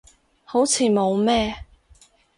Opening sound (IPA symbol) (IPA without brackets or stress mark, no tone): h